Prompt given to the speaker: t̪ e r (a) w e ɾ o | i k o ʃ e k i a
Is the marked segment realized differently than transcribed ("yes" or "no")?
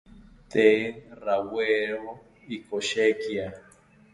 no